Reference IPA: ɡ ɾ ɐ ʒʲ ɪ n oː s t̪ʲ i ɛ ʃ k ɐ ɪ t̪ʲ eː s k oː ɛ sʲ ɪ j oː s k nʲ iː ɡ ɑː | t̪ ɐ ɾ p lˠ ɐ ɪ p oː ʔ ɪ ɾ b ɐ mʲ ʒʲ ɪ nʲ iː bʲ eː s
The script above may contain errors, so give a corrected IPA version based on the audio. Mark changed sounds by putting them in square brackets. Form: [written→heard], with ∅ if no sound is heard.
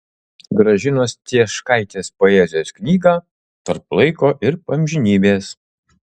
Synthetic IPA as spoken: ɡ ɾ ɐ ʒʲ ɪ n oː s t̪ʲ i ɛ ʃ k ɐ ɪ t̪ʲ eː s [k→p] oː ɛ [sʲ→zʲ] ɪ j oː s k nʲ iː ɡ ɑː | t̪ ɐ ɾ p lˠ ɐ ɪ [p→k] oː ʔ ɪ ɾ [b→p] ɐ mʲ ʒʲ ɪ nʲ iː bʲ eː s